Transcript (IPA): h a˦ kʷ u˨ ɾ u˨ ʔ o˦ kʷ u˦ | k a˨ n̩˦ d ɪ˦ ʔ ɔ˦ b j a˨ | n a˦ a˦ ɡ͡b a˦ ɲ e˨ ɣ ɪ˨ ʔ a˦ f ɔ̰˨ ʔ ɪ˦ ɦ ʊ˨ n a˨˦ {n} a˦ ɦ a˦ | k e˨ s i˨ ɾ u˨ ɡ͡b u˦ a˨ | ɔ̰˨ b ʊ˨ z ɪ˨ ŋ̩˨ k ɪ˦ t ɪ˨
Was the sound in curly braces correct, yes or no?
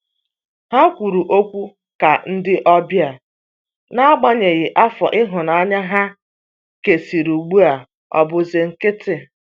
no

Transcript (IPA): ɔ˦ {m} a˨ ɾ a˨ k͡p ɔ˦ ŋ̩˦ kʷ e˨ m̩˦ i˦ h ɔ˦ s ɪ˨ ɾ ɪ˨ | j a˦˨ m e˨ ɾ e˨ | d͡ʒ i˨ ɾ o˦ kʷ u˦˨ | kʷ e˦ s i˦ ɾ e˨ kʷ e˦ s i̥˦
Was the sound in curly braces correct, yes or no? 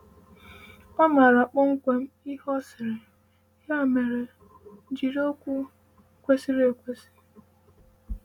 yes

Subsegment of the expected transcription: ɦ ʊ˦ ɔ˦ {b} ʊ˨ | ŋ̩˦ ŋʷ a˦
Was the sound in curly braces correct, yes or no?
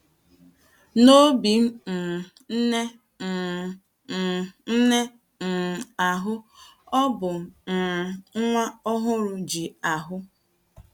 yes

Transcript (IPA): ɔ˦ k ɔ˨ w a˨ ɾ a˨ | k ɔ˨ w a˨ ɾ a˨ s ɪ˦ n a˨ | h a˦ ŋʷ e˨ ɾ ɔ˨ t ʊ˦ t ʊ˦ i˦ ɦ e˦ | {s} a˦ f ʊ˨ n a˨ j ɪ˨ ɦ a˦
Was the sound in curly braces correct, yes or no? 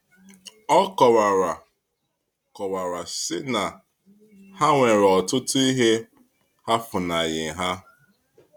no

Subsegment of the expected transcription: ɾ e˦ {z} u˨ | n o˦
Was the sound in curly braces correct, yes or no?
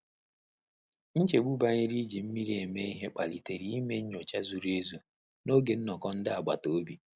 yes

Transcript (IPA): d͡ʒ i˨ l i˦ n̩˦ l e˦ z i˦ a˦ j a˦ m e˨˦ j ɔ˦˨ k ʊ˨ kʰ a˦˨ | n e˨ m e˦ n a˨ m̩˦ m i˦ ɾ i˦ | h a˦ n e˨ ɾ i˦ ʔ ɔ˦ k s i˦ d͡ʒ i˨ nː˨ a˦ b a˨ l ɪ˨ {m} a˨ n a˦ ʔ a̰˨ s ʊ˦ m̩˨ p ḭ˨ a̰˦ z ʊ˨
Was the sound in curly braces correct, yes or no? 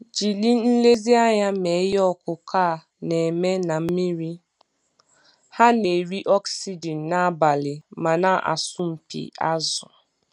yes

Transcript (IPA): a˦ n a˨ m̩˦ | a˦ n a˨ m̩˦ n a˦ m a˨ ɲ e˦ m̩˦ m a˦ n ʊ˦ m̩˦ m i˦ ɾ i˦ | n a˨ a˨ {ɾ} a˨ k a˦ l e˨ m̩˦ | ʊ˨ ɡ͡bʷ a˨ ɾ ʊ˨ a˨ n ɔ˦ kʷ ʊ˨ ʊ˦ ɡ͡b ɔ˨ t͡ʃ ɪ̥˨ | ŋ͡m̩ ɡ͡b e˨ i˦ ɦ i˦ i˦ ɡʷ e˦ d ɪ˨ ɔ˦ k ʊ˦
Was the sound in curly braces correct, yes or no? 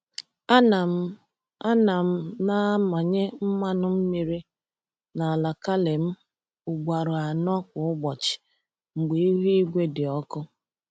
no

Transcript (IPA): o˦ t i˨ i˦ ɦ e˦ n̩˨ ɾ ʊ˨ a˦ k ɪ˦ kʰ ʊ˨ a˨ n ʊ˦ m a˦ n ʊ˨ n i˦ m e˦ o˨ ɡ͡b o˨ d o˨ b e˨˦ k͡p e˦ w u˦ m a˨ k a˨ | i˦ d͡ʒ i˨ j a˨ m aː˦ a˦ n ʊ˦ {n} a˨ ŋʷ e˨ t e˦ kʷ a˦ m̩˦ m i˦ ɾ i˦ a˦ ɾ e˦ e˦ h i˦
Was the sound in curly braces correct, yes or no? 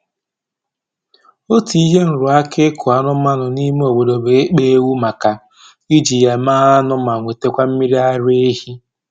no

